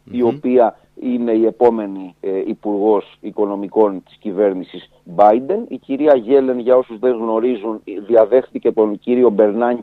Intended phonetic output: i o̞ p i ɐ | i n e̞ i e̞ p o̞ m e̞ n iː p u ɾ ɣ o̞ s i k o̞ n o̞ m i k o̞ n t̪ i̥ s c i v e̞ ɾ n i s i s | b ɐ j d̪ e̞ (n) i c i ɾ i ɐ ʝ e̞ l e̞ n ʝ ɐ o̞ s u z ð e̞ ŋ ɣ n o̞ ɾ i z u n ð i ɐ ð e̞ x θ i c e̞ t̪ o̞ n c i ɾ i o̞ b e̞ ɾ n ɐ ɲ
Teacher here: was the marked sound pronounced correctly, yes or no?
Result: yes